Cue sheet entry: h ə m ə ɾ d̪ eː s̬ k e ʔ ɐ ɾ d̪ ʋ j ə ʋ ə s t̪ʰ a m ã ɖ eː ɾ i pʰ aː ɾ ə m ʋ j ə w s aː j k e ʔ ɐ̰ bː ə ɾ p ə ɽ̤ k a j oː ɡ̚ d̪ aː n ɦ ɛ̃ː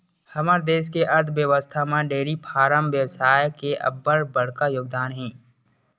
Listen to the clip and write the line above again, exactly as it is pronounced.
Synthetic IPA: h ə m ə ɾ d̪ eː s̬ k e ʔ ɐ ɾ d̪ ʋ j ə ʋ ə s t̪ʰ a m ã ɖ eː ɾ i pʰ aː ɾ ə m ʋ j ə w s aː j k e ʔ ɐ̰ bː ə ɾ b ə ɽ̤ k a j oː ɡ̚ d̪ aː n ɦ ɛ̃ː